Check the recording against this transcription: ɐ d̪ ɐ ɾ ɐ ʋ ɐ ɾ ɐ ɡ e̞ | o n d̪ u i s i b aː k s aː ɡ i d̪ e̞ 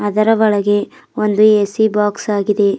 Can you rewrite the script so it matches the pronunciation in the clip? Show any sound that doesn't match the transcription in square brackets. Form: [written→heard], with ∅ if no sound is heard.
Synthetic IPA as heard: ɐ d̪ ɐ ɾ ɐ ʋ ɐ [ɾ→ɭ] ɐ ɡ e̞ | o n d̪ u [i→e] s i b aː k s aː ɡ i d̪ e̞